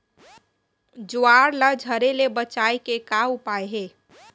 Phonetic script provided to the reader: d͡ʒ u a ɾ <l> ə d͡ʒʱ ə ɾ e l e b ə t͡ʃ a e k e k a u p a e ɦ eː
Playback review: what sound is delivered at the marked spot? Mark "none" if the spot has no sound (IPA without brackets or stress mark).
l